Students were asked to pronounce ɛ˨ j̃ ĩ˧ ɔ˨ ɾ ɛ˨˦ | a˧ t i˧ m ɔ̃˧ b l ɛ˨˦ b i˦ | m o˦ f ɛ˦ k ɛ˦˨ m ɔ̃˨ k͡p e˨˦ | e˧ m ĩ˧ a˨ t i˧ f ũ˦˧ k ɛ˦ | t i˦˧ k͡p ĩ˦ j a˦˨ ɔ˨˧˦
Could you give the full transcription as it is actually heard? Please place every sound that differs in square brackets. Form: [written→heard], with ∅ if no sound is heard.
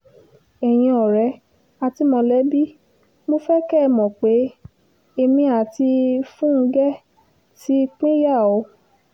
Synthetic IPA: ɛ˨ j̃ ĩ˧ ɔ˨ ɾ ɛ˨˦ | a˧ t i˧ m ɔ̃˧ [b→∅] l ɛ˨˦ b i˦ | m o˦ f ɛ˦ k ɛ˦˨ m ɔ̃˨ k͡p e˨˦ | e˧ m ĩ˧ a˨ t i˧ f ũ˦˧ [k→ɡ] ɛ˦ | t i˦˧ k͡p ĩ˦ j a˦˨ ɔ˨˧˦